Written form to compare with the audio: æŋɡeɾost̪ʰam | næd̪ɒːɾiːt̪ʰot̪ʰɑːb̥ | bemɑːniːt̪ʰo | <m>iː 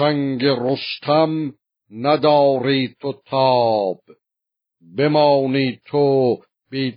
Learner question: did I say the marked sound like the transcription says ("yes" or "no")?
no